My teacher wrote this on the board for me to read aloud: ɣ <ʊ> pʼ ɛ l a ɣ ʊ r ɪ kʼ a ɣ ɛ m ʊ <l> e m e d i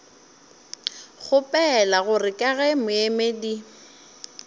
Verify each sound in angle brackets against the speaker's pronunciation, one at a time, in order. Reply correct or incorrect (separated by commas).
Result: correct, incorrect